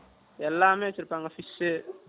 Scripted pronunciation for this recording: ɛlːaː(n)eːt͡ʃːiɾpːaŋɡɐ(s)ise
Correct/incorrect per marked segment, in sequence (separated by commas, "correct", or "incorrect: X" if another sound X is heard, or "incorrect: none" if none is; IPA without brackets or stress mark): incorrect: m, incorrect: f